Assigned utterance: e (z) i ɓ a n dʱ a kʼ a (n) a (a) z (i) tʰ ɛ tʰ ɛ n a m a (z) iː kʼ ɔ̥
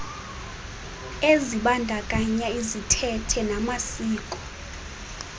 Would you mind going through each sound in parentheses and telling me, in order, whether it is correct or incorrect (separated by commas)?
correct, incorrect, incorrect, correct, incorrect